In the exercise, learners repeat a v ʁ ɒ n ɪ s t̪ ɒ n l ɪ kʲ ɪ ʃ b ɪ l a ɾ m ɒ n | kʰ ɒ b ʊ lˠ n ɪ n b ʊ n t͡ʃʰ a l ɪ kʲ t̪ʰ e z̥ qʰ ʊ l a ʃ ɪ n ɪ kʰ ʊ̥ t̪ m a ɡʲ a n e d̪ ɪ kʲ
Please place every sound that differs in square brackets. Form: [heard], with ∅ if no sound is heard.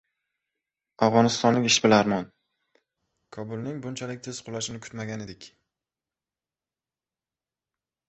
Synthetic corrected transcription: a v ʁ ɒ n ɪ s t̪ ɒ n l ɪ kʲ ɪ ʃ b ɪ l a ɾ m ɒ n | kʰ ɒ b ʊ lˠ n ɪ [ŋ] b ʊ n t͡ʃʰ a l ɪ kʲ t̪ʰ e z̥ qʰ ʊ l a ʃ ɪ n ɪ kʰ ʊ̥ t̪ m a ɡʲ a n e d̪ ɪ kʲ